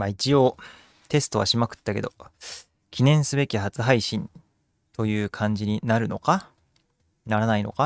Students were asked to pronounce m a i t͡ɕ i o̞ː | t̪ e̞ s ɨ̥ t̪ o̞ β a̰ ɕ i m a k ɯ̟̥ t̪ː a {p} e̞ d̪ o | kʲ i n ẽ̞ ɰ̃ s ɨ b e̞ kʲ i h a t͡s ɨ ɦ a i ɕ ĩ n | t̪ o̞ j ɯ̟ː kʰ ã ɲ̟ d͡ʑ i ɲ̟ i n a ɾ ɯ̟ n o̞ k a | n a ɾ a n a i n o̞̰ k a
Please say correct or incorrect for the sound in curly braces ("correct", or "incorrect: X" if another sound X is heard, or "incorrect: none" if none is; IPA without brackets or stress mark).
incorrect: k